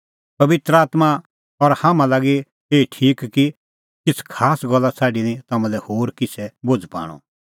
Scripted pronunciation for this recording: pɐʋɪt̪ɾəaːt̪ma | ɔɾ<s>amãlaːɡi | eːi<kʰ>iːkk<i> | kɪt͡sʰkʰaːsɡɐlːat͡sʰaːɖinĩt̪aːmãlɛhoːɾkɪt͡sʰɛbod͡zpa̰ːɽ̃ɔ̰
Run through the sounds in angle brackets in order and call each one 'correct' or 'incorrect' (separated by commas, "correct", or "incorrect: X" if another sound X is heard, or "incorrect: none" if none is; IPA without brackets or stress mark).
incorrect: h, incorrect: ʈʰ, correct